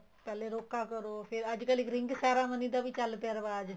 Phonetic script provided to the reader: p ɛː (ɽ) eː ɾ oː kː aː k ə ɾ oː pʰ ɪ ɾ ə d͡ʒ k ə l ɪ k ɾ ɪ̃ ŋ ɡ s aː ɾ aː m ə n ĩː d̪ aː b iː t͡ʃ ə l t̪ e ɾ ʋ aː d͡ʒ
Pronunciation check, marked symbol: incorrect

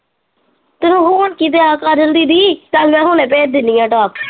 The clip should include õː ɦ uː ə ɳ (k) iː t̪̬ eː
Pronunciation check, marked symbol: correct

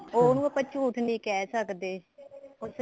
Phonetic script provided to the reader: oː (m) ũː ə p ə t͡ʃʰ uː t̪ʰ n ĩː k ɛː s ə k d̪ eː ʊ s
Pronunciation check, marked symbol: incorrect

